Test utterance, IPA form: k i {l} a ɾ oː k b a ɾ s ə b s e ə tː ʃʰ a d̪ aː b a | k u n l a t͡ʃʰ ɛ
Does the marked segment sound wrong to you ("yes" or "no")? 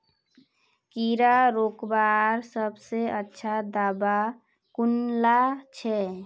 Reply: yes